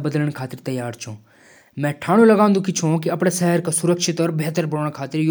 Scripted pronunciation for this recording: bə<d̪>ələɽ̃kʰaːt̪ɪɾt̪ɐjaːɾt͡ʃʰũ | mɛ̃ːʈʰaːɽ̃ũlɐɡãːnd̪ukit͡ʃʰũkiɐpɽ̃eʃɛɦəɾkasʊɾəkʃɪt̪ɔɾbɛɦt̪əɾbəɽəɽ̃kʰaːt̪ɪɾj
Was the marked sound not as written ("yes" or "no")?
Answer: no